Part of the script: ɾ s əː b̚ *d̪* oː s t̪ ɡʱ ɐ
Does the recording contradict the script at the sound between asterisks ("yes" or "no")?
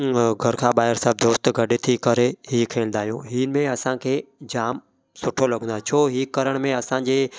no